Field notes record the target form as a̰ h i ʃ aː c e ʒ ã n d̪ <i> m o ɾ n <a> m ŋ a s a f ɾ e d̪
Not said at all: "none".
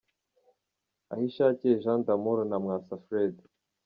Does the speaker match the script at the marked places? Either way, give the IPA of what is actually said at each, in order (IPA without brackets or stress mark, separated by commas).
a, a